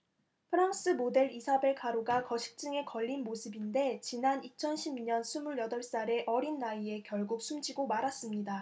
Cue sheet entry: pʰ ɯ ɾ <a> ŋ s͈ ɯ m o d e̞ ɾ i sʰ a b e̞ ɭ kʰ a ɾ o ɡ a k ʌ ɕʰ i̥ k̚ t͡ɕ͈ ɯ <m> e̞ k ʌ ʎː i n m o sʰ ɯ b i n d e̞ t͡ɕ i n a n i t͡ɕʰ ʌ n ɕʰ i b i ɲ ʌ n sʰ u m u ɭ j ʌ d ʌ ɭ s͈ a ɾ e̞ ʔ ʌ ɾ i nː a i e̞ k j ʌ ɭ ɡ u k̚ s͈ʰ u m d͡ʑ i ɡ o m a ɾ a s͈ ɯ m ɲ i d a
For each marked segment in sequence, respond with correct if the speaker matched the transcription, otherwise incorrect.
correct, incorrect: ŋ

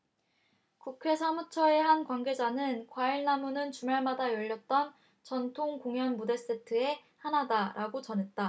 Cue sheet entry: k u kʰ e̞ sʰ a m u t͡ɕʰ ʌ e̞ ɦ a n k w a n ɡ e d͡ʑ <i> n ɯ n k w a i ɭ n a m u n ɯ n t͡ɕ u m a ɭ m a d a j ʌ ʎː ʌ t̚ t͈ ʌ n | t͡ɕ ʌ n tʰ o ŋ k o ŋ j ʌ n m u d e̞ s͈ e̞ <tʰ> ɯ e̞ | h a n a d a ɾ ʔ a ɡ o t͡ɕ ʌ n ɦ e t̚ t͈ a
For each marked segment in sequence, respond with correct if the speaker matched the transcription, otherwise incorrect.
incorrect: a, correct

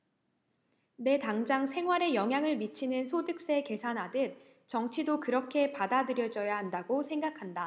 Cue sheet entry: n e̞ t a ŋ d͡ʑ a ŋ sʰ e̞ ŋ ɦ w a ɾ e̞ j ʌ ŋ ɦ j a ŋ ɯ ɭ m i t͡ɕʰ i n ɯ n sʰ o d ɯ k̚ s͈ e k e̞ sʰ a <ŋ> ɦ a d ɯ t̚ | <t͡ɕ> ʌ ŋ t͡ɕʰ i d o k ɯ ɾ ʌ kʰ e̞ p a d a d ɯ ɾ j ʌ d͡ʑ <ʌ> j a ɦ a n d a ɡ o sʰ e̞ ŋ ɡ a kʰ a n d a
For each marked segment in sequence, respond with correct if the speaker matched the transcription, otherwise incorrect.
incorrect: n, correct, correct

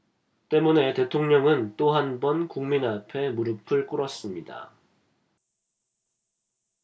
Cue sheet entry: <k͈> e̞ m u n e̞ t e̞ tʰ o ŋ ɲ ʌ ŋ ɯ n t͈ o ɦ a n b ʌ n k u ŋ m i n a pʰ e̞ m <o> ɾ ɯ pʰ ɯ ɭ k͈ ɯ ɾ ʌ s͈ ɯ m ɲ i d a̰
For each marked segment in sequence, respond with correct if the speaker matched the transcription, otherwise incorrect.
incorrect: t͈, incorrect: u

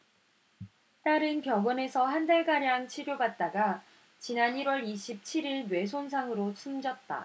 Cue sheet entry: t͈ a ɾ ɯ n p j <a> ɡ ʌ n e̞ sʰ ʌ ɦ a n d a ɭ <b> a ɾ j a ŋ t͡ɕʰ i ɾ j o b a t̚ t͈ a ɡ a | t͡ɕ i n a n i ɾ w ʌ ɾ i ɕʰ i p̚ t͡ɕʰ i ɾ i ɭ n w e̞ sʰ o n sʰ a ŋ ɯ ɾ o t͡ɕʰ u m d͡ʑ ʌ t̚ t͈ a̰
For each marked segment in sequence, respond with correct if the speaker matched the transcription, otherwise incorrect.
incorrect: ʌ, incorrect: ɡ

